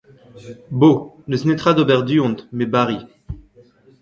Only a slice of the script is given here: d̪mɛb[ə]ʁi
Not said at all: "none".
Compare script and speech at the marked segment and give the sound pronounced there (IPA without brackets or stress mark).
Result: a